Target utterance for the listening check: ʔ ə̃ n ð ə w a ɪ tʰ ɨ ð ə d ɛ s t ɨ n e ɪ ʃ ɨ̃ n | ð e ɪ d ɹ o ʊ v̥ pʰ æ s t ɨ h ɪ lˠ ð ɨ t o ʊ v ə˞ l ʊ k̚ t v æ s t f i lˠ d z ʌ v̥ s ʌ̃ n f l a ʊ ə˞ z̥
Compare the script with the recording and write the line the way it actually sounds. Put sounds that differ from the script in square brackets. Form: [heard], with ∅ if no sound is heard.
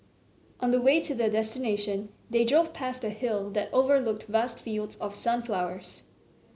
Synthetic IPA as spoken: ʔ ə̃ n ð ə w [e] ɪ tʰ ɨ ð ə d ɛ s t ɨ n e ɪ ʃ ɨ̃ n | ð e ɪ d ɹ o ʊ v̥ pʰ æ s t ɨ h ɪ lˠ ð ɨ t o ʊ v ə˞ l ʊ k̚ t v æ s t f i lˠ d z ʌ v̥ s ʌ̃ n f l a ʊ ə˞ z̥

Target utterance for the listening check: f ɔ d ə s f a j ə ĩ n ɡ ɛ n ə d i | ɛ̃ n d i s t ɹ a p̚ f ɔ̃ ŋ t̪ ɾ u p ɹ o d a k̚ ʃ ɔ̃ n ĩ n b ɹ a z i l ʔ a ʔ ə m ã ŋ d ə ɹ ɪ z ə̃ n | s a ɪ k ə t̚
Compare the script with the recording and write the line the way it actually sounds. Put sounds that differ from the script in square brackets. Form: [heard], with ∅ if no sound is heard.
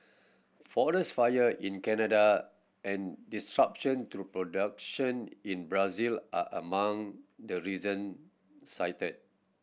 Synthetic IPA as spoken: f ɔ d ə s f a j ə ĩ n [k] ɛ n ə d [a] | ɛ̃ n d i s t ɹ a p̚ [ʃ] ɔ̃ [n] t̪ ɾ u p ɹ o d a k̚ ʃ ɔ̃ n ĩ n b ɹ a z i l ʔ a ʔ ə m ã ŋ d ə ɹ [i] z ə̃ n | s a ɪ [t] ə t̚

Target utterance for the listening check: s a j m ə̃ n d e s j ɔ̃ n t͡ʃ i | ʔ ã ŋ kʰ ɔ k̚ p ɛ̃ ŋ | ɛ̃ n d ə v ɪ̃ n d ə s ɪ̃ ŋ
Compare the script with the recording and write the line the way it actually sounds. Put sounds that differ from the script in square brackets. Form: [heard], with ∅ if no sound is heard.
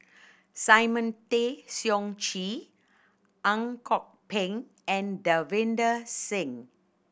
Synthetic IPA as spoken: s a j m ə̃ n [t] e s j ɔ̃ [ŋ] t͡ʃ i | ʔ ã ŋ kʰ ɔ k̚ p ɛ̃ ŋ | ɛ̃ n d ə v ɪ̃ n d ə s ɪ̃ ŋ

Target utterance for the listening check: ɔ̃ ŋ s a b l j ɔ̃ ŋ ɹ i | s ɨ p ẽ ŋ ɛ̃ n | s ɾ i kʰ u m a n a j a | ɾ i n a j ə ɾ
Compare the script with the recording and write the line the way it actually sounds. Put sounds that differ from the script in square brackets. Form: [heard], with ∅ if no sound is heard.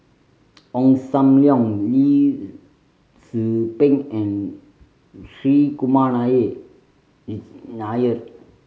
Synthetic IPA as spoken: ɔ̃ ŋ s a [m] l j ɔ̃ ŋ [l] i | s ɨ p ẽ ŋ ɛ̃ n | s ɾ i [k] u m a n a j [e] | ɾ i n a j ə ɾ

